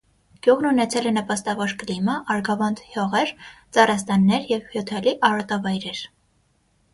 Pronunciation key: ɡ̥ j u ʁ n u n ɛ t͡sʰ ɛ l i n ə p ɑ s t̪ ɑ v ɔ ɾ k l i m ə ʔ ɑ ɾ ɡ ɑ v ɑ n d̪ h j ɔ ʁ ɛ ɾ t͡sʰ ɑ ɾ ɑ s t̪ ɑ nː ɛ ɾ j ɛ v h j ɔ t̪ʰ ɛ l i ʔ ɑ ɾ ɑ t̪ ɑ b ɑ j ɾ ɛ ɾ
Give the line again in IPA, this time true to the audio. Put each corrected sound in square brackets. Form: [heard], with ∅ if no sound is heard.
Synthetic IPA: ɡ̥ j u ʁ n u n ɛ t͡sʰ ɛ l [ɛ] n ə p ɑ s t̪ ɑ v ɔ ɾ k l i m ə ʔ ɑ ɾ ɡ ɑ v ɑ n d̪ h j ɔ ʁ ɛ ɾ [t͡s] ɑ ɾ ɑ s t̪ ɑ nː ɛ ɾ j ɛ v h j ɔ t̪ʰ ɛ l i ʔ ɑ ɾ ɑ t̪ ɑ [v] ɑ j ɾ ɛ ɾ